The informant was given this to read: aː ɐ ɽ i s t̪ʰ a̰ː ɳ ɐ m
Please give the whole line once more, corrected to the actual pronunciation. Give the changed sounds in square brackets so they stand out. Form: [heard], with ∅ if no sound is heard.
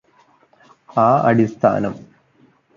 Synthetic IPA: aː ɐ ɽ i s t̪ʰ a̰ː [n] ɐ m